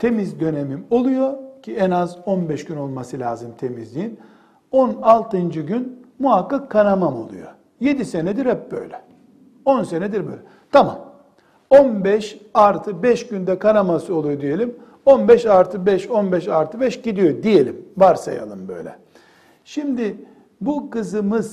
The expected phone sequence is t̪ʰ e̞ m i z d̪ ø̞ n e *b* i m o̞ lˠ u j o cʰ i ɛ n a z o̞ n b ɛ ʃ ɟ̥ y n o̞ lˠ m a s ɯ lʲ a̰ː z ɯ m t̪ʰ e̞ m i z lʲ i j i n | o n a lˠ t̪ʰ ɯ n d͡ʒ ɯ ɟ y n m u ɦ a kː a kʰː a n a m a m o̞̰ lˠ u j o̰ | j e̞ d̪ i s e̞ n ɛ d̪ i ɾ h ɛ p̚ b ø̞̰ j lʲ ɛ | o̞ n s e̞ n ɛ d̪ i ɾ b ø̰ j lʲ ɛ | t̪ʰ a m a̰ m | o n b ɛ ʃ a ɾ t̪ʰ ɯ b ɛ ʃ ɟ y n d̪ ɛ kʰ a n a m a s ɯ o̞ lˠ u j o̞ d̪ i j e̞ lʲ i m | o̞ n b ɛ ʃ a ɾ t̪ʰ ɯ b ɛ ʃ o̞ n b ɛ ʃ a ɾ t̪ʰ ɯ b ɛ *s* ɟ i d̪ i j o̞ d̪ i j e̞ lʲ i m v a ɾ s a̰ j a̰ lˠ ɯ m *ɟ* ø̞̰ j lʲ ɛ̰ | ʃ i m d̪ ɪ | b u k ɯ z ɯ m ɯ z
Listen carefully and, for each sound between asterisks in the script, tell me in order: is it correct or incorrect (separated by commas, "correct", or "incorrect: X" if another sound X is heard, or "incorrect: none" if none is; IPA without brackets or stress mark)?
incorrect: m, incorrect: ʃ, incorrect: b